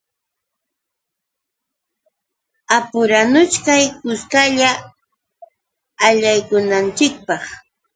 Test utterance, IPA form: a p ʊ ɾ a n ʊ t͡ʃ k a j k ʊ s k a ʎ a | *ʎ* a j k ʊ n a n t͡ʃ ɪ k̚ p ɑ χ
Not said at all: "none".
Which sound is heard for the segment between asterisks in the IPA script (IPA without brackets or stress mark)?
ʎ